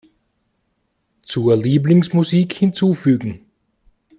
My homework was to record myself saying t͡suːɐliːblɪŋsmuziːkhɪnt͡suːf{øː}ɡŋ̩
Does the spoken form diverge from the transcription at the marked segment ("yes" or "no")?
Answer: yes